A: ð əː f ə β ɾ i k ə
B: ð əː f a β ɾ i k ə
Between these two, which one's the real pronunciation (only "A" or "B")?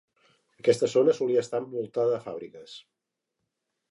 B